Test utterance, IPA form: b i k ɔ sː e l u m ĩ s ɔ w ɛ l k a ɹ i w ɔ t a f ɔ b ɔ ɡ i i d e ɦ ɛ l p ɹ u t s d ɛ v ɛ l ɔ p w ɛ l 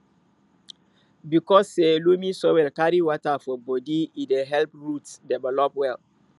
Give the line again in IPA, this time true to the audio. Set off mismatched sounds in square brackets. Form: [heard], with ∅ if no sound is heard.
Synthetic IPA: b i k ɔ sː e l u m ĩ s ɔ w ɛ l k a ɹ i w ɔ t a f ɔ b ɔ [d] i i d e ɦ ɛ l p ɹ u t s d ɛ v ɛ l ɔ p w ɛ l